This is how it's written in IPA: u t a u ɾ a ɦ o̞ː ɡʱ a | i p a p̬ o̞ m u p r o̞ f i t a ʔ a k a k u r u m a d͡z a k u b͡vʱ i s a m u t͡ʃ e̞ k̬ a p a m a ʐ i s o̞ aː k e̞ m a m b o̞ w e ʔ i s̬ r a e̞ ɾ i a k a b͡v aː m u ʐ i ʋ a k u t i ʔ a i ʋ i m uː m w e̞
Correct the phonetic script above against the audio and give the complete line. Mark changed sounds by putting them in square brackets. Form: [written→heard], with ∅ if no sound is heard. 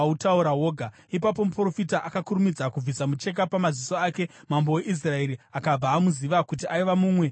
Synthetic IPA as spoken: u t a u ɾ a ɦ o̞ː ɡʱ a | i p a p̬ o̞ m u p r o̞ f i t a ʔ a k a k u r u m [a→i] d͡z a k u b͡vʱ i s a m u t͡ʃ e̞ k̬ a p a m a [ʐ→z] i s o̞ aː k e̞ m a m b o̞ w e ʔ i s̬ r a e̞ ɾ i a k a b͡v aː m u [ʐ→z] i ʋ a k u t i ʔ a i ʋ [i→a] m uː m w e̞